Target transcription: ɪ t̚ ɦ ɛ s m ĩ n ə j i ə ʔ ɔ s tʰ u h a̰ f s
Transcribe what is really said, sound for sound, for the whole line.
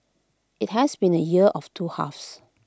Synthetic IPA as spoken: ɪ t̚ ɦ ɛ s b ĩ n ə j i ə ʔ ɔ f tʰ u h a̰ f s

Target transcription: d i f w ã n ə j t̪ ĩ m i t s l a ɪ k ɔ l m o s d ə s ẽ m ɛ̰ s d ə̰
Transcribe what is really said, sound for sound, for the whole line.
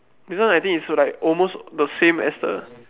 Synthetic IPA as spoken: d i s w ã n a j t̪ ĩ ŋ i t s l a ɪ k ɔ l m o s d ə s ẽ m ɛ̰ s d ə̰

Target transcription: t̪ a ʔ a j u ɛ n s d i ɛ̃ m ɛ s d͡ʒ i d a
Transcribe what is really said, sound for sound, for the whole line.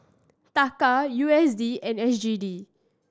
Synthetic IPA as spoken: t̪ a k a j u ɛ s d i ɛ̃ n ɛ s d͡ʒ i d i

